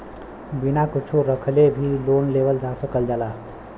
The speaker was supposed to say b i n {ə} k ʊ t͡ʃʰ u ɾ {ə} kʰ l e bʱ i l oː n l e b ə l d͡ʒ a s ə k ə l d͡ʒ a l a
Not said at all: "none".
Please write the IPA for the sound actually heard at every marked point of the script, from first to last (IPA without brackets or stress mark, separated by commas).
a, ə